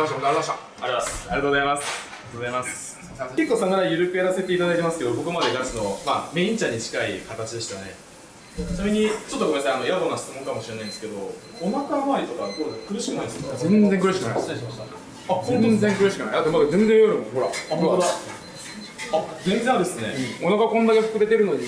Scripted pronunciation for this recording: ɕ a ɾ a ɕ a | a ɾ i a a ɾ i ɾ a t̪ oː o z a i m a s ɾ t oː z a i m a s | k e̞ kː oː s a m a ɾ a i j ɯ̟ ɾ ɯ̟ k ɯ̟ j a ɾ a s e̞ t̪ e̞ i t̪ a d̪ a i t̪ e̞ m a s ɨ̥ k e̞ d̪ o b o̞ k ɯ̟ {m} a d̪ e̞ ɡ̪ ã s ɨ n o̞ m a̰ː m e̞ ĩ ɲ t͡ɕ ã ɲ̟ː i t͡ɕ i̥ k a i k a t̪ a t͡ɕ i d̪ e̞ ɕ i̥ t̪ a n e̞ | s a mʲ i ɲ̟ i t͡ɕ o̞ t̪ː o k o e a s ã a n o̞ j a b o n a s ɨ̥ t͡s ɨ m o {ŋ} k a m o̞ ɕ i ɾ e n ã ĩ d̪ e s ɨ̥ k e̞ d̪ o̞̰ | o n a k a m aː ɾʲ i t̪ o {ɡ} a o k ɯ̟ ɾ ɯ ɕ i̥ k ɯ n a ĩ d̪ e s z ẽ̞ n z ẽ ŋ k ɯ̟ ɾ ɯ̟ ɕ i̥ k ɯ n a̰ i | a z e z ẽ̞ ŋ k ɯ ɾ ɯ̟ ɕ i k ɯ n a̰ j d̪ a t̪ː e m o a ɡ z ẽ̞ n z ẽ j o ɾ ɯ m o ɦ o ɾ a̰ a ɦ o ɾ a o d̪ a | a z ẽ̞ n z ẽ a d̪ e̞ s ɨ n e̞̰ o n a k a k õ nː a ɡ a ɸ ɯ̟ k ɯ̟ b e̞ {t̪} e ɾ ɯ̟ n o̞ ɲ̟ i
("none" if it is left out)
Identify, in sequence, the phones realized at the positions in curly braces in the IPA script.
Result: m, ŋ, k, t̪

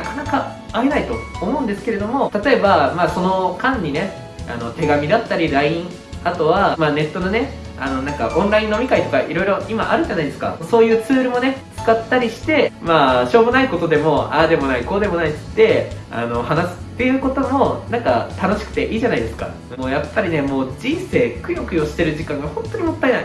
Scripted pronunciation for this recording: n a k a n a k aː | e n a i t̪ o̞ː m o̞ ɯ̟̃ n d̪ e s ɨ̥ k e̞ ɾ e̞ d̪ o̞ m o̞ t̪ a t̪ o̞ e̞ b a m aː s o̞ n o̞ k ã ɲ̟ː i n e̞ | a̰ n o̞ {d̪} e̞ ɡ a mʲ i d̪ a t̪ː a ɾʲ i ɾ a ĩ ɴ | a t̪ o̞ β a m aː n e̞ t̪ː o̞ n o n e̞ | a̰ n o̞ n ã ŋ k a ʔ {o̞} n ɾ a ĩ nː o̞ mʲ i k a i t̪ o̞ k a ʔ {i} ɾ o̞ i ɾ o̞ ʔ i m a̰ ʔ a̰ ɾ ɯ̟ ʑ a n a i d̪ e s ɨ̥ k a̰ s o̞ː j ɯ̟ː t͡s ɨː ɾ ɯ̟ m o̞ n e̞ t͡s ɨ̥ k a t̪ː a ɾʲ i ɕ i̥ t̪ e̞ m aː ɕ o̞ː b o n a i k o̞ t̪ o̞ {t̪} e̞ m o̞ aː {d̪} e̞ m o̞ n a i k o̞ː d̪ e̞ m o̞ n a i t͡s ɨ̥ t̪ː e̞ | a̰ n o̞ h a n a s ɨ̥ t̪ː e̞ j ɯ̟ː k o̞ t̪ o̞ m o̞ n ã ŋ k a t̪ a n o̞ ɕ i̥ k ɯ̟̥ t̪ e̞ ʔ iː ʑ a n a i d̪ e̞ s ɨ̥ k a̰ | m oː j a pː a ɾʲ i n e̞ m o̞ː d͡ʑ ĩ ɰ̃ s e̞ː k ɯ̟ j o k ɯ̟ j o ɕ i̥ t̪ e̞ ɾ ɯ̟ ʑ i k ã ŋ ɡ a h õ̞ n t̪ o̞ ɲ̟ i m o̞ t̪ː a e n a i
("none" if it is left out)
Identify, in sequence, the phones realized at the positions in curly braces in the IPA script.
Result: t̪, õ̞, i, d̪, d̪

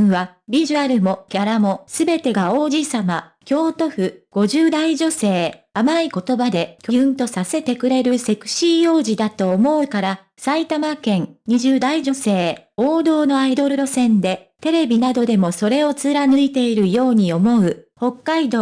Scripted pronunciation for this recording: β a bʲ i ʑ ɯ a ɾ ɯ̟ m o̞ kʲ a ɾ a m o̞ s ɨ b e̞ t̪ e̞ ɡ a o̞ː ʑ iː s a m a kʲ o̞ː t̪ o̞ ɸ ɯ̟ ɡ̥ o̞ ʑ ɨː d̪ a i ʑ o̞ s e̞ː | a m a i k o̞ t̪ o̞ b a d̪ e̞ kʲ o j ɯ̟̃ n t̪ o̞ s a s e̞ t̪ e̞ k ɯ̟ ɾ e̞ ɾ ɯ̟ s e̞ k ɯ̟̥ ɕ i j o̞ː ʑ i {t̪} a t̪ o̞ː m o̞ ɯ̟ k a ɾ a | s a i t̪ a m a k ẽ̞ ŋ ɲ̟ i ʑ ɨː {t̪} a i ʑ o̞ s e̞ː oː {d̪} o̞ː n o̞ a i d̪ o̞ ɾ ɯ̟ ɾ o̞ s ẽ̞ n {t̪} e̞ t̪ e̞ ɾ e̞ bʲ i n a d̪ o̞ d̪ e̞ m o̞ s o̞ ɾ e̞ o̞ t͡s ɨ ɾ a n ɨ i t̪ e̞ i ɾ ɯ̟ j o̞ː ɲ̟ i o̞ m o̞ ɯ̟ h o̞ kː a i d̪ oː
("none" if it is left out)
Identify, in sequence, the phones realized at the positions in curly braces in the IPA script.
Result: d̪, d̪, d̪, d̪

